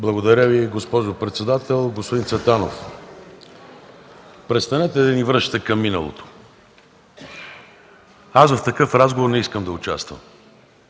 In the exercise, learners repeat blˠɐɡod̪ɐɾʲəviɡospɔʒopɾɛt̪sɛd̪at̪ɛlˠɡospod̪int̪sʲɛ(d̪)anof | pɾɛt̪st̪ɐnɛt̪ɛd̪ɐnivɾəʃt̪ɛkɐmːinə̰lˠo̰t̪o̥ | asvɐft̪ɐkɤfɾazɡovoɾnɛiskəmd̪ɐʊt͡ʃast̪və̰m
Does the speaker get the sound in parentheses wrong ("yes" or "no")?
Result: yes